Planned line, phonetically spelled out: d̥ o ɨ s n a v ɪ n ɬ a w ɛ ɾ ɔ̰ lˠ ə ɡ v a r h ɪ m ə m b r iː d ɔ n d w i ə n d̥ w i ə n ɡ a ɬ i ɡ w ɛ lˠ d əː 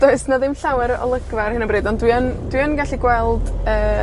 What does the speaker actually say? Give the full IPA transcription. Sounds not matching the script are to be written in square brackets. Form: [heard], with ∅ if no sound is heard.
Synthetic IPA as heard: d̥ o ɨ s n a [ð] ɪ [m] ɬ a w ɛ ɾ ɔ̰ lˠ ə ɡ v a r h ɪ [n] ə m b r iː d ɔ n d w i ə n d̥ w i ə n ɡ a ɬ i ɡ w ɛ lˠ d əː

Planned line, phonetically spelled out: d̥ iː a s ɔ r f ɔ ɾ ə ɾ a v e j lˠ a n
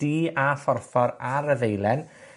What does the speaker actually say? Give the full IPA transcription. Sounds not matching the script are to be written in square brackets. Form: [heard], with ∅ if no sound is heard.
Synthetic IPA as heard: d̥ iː a [f] ɔ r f ɔ ɾ [a] ɾ [ə] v e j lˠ [ɛ] n

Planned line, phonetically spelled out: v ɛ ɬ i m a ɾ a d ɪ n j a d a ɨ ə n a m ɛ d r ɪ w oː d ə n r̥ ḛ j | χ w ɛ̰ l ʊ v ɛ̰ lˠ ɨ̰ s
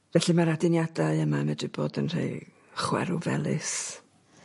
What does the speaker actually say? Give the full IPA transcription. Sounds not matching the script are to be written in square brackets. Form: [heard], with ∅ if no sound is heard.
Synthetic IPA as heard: v ɛ ɬ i m a ɾ a d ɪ n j a d a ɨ ə [m] a m ɛ d r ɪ [b] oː d ə n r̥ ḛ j | χ w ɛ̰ [ɾ] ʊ v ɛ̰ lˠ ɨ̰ s

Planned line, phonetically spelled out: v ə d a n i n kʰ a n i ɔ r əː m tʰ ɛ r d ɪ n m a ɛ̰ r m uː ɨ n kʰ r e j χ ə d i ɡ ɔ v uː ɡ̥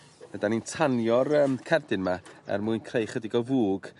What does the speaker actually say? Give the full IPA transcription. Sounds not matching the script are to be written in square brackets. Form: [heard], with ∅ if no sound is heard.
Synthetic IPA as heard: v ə d a n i n [tʰ] a n [j] ɔ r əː m [kʰ] ɛ r d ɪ n m a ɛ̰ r m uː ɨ n kʰ r e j χ ə d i ɡ ɔ v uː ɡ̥

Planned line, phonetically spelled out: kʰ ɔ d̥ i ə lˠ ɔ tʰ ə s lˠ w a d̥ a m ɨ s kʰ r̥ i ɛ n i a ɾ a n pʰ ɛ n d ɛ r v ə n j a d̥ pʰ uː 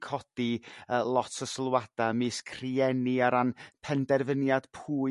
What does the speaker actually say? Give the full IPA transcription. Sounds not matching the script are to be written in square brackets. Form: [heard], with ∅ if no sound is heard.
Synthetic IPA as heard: kʰ ɔ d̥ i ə lˠ ɔ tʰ ə s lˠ w a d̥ a m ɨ s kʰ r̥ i ɛ n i a ɾ a n pʰ ɛ n d ɛ r v ə n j a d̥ pʰ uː

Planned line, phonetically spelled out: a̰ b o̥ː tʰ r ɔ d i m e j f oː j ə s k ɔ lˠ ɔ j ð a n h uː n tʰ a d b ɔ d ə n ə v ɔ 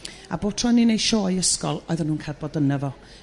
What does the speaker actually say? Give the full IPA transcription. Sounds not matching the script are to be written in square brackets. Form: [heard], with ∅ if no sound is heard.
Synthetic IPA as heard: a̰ b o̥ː tʰ r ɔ [n] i [n] e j [ʃ] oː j ə s k ɔ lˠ ɔ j ð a n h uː n [kʰ] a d b ɔ d ə n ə v ɔ

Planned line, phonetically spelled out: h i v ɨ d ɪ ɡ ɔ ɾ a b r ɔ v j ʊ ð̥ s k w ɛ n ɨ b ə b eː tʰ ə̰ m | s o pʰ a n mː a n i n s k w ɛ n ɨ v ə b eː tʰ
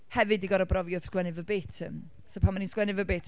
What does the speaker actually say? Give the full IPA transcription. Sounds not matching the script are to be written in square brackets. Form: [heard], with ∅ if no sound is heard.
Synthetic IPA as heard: h [ɛ] v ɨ d [i] ɡ ɔ ɾ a b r ɔ v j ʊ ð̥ s k w ɛ n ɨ [v] ə b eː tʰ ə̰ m | s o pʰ a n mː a n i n s k w ɛ n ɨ v ə b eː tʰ

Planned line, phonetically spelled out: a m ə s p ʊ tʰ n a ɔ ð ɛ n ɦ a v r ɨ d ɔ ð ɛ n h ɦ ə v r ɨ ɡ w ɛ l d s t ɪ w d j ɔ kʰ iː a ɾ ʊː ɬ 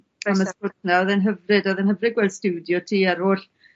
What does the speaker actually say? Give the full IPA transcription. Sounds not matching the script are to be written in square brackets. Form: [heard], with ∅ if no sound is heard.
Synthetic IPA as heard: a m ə s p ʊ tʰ n a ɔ ð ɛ n ɦ [ə] v r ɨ d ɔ ð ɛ n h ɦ ə v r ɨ ɡ w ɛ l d s t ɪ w d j ɔ [tʰ] iː a ɾ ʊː ɬ

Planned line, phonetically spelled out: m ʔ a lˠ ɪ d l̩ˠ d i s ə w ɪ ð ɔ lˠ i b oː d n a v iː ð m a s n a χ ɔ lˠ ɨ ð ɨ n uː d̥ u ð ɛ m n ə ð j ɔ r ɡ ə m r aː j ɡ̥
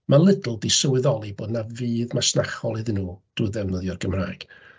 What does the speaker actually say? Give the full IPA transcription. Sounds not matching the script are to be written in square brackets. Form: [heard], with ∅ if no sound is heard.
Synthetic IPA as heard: m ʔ a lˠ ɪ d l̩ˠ d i s ə w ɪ ð ɔ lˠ i b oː d n a v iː ð m a s n a χ ɔ lˠ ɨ ð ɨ n uː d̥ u ð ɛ m n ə ð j ɔ r ɡ ə m r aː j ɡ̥

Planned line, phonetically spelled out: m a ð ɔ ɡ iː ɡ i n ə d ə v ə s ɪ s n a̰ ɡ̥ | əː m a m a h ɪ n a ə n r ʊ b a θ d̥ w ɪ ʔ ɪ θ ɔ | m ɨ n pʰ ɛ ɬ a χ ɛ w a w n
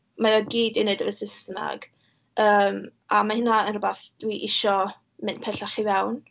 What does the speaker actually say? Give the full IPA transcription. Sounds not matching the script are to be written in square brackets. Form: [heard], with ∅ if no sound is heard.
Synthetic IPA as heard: m a ð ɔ ɡ iː [d] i n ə d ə v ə s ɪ s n a̰ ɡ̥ | əː m a m a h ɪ n a ə n r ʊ b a θ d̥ w [i] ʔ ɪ [ʃ] ɔ | m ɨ n pʰ ɛ ɬ a χ [i] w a w n

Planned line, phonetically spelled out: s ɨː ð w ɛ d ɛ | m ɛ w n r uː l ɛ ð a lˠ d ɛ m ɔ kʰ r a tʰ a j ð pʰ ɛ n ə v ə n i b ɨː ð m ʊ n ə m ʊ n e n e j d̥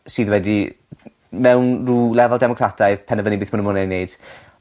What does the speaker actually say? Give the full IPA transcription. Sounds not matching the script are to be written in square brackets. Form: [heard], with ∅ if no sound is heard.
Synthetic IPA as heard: s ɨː ð w ɛ d [i] | m ɛ w n r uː l ɛ [v] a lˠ d ɛ m ɔ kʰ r a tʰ a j ð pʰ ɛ n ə v ə n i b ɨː [θ] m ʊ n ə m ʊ n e n e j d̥

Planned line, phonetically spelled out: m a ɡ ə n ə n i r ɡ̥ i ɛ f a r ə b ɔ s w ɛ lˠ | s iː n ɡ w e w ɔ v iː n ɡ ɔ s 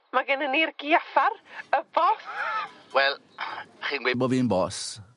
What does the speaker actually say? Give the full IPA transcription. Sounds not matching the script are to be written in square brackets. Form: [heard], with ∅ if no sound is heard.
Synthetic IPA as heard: m a ɡ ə n ə n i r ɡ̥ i [a] f a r ə b ɔ s w ɛ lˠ | [χ] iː n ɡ w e [b] ɔ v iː n [b] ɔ s

